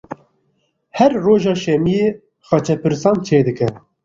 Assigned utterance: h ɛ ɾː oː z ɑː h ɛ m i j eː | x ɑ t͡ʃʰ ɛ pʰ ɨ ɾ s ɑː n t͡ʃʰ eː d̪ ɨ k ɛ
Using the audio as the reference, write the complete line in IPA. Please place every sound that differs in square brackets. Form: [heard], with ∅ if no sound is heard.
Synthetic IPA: h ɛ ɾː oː [ʒ] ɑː [ʃ] ɛ m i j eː | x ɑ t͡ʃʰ ɛ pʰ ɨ ɾ s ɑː n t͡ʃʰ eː d̪ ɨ k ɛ